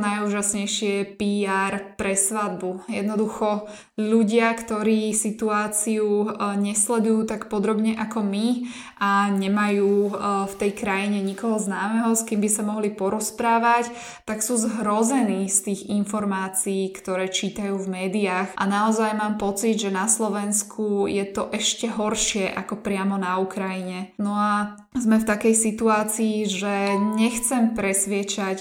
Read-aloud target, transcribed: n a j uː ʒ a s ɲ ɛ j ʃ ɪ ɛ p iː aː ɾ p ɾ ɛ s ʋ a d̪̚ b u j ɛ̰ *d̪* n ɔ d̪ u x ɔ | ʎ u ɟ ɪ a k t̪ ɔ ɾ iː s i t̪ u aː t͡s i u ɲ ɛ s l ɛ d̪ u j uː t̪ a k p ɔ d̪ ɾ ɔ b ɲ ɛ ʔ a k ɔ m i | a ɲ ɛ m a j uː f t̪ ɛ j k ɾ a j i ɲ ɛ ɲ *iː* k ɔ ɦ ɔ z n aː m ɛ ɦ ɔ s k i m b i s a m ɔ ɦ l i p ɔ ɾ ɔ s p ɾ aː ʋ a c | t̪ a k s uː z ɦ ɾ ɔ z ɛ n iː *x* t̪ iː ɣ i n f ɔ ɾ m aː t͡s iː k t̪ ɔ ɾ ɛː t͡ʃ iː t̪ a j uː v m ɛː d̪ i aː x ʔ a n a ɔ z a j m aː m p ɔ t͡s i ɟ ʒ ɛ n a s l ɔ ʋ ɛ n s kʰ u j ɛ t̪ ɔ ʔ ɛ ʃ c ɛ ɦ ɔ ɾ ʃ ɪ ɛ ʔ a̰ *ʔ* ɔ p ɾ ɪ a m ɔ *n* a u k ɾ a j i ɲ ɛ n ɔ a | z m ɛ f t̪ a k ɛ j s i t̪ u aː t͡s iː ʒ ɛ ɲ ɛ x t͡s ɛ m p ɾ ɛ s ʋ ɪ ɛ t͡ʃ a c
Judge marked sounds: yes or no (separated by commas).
yes, no, no, no, yes